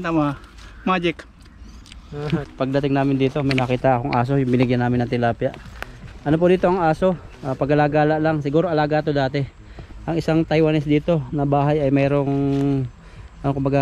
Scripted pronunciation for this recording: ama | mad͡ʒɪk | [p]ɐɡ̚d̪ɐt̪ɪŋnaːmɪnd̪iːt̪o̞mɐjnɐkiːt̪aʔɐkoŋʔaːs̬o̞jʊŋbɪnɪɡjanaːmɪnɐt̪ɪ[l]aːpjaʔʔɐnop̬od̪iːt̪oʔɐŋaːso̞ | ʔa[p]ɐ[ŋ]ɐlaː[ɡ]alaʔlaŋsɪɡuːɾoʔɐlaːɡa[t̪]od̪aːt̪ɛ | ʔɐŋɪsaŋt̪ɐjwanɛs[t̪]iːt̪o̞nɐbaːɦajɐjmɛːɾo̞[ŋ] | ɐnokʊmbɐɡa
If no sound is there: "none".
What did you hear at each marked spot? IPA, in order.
p, l, p, ɡ, ɡ, t̪, d̪, ŋ

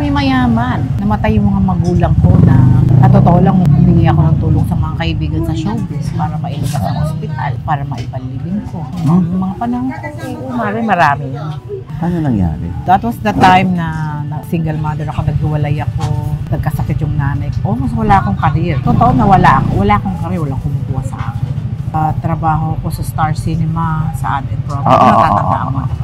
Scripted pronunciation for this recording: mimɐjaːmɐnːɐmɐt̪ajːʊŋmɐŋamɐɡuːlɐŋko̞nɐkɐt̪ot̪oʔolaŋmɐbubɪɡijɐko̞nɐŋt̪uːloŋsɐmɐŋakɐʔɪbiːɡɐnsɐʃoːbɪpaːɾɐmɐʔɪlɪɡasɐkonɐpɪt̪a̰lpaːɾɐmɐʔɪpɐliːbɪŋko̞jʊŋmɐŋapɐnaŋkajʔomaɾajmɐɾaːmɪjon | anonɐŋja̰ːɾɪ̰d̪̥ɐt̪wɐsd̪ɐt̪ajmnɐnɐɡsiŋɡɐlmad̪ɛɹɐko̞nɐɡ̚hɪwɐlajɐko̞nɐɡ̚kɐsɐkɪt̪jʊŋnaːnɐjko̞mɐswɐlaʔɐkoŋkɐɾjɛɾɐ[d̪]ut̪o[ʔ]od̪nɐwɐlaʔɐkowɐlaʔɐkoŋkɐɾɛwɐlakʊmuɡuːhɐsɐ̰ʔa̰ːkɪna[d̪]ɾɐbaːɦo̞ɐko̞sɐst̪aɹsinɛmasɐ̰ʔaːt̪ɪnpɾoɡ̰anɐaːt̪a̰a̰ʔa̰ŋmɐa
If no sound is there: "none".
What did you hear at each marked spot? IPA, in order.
t̪, ʔ, t̪

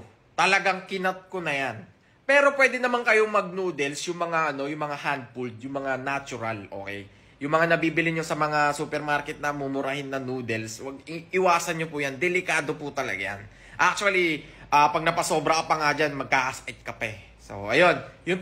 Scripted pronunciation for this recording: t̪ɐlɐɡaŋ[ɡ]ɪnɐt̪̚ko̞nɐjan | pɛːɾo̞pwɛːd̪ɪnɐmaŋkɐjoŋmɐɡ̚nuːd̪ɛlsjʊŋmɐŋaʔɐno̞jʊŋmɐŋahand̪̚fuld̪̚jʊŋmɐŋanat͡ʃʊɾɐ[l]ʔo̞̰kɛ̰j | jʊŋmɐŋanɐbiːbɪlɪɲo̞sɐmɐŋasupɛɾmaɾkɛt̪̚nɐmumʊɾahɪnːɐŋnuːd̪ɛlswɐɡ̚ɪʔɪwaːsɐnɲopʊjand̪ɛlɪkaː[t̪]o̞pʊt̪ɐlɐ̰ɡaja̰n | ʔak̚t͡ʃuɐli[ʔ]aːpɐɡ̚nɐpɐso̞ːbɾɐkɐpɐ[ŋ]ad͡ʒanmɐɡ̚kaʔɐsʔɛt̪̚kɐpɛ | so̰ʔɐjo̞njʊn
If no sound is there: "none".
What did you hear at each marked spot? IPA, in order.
k, l, d̪, ʔ, ŋ

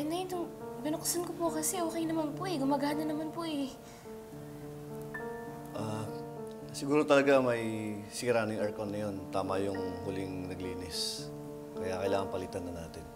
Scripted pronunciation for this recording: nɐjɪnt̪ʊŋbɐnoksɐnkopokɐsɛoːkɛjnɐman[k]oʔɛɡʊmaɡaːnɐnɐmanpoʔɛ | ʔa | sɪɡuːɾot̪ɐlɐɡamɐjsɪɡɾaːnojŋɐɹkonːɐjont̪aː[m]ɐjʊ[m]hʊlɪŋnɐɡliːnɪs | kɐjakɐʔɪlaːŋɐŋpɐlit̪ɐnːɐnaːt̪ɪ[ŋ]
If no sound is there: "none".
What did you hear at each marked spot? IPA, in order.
p, m, ŋ, n

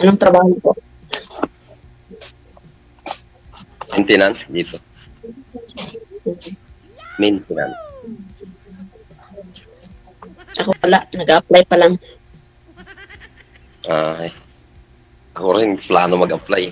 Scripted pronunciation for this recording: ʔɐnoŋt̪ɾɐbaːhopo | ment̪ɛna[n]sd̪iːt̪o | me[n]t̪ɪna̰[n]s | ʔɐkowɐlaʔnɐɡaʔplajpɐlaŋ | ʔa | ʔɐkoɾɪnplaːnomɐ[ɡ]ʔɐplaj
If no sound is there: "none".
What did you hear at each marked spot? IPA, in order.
n, n, n, ɡ

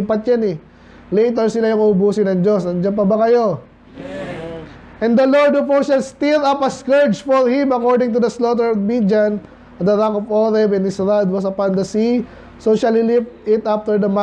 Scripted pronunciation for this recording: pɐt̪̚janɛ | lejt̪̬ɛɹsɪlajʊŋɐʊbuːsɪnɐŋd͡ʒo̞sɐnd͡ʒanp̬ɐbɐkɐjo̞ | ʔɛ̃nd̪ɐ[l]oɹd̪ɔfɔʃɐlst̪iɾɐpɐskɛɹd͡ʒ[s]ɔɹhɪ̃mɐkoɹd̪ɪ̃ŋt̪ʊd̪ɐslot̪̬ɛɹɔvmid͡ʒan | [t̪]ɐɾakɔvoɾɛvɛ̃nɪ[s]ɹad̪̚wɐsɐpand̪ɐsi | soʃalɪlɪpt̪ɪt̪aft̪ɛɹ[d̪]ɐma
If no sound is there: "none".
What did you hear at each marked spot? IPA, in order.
l, f, d̪, s, d̪

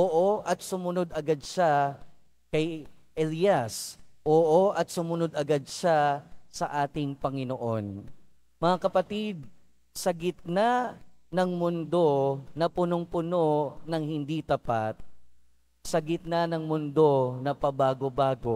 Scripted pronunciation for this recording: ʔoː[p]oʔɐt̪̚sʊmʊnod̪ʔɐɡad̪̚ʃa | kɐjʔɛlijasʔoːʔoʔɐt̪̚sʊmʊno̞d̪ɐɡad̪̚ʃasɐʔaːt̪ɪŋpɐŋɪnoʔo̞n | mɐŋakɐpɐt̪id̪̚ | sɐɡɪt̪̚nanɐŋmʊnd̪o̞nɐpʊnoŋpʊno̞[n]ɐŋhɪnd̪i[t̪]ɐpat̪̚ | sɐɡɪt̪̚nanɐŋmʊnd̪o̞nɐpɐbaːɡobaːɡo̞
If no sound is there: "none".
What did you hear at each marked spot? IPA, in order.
ʔ, n, t̪

